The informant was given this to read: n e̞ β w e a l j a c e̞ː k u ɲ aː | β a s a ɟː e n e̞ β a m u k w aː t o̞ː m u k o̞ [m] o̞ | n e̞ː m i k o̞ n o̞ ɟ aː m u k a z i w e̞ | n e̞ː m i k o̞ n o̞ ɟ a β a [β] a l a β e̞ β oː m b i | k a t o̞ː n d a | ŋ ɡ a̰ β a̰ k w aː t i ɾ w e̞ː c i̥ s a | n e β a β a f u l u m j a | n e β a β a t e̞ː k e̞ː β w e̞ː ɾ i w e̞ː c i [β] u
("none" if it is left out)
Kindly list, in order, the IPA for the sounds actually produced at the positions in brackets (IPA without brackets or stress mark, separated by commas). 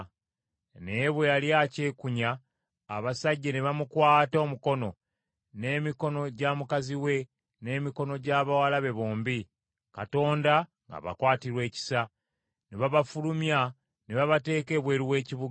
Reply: n, w, β